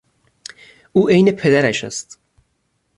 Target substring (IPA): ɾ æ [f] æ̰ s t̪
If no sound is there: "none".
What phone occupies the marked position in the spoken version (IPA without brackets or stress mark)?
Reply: ʃ